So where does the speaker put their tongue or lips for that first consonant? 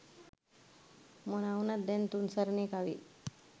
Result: lips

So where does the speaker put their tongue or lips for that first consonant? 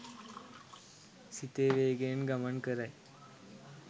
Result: tongue tip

